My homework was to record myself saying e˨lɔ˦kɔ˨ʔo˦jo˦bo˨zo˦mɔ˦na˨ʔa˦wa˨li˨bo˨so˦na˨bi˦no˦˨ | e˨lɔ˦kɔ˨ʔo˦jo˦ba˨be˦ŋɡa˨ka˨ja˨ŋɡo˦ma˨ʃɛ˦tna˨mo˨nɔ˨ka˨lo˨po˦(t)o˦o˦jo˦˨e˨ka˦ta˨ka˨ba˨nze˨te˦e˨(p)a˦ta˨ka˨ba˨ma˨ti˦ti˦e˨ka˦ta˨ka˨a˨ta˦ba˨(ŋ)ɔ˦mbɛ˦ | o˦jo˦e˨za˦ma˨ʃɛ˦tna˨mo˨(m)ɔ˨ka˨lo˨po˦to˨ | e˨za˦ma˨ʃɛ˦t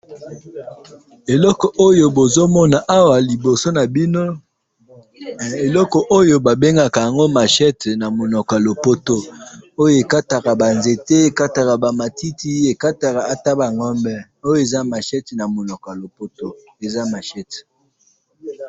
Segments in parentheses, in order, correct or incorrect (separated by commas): correct, incorrect, correct, incorrect